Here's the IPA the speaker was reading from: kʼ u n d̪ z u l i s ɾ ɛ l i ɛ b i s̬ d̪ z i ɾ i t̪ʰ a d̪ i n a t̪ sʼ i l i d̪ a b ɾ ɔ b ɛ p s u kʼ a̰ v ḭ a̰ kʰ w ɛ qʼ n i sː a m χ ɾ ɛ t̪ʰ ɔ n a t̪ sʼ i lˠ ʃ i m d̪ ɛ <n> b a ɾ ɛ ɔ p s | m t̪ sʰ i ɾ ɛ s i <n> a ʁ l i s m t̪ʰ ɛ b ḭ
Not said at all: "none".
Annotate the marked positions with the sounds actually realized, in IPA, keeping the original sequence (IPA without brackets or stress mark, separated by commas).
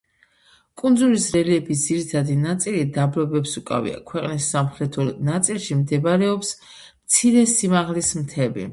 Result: none, m